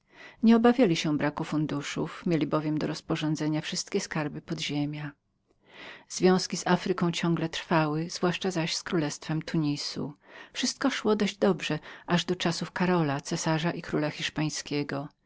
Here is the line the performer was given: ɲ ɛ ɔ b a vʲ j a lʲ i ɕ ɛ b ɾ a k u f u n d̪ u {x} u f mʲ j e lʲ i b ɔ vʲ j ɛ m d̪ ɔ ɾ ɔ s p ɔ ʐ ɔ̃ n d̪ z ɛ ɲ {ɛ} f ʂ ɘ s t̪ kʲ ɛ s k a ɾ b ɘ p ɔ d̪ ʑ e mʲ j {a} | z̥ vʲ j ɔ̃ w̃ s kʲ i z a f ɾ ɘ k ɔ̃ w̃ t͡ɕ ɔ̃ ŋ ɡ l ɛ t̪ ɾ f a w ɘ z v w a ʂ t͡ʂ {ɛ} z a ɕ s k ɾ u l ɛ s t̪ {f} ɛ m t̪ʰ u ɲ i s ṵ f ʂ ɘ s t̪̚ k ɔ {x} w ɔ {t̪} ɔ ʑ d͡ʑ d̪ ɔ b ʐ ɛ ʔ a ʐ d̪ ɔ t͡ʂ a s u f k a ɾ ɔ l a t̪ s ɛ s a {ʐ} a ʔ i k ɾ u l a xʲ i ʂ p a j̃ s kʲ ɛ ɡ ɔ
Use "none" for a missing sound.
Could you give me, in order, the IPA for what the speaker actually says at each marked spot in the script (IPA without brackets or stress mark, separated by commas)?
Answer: ʂ, a, a, a, f, ʂ, d̪, ʐ